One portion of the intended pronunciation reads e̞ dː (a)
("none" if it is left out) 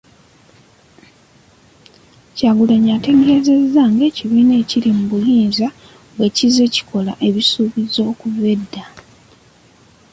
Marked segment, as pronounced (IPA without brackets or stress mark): a